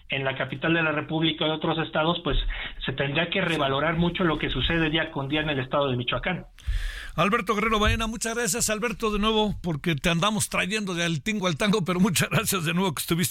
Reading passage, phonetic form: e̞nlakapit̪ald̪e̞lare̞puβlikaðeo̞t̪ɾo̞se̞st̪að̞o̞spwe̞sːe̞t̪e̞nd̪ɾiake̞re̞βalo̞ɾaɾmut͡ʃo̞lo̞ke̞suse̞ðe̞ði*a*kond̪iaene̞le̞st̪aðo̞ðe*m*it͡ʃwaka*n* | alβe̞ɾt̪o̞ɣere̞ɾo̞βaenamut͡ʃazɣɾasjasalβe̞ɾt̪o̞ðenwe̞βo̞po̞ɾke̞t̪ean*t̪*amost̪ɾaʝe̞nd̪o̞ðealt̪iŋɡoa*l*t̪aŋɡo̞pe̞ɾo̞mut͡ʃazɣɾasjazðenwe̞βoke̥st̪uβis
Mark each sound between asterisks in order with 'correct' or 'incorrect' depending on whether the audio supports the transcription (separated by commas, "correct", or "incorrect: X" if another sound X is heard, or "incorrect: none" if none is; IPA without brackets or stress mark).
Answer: correct, correct, correct, incorrect: d̪, correct